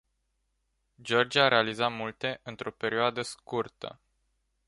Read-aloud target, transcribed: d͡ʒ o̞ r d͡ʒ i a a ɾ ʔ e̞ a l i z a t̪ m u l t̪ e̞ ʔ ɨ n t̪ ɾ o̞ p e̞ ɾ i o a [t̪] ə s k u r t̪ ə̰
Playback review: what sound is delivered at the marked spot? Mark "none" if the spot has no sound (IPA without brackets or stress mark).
d̪